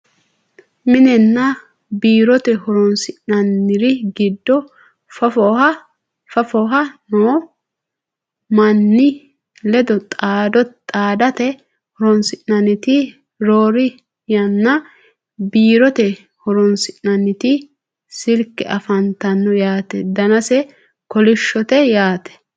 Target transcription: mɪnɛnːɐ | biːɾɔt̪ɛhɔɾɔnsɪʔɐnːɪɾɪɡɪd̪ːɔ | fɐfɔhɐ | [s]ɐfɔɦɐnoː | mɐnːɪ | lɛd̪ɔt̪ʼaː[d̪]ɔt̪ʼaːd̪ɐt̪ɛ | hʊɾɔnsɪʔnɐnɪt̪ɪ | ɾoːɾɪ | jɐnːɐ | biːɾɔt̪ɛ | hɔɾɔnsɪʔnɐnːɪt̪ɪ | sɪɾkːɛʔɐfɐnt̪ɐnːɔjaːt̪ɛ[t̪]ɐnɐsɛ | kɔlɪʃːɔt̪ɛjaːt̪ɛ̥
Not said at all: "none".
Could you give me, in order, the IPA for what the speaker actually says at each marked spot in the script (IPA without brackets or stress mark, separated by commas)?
f, d̪, d̪